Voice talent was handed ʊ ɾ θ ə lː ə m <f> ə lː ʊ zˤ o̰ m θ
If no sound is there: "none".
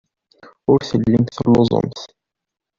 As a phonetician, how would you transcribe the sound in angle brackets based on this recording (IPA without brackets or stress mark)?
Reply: θ